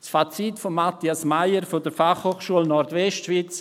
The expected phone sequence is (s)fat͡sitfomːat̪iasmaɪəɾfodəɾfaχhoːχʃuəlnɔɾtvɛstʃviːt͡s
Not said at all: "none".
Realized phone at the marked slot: s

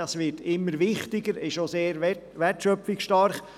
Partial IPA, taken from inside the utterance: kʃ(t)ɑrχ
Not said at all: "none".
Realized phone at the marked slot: t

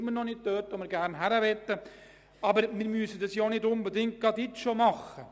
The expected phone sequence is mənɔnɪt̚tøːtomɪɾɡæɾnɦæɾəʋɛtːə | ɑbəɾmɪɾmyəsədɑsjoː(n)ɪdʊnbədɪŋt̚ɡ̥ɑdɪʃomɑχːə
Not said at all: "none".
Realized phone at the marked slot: n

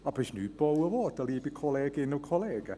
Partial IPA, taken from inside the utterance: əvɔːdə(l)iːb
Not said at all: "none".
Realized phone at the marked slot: l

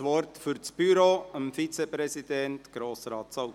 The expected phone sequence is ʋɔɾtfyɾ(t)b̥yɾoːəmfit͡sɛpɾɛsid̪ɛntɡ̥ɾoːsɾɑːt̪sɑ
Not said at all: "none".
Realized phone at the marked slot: t͡s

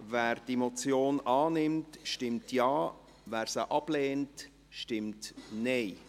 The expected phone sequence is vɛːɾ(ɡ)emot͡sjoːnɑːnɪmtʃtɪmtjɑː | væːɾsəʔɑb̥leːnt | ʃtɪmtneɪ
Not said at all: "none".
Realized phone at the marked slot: d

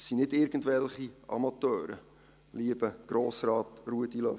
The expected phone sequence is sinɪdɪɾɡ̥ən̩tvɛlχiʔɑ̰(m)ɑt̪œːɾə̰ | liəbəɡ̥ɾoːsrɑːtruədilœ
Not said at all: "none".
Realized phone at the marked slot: m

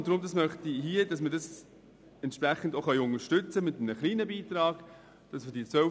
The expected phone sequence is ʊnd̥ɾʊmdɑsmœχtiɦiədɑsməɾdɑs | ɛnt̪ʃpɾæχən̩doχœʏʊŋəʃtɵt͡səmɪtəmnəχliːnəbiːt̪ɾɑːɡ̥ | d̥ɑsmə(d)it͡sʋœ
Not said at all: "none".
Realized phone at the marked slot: d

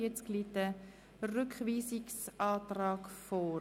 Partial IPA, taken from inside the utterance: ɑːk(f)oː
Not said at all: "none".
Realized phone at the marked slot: f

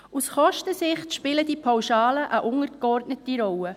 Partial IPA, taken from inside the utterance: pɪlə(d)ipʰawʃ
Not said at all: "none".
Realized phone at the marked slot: d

